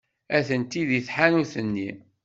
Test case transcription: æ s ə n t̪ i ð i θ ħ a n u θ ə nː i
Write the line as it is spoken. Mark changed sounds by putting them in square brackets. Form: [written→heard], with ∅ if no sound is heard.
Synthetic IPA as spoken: æ [s→θ] ə n t̪ i ð i θ ħ a n u θ ə nː i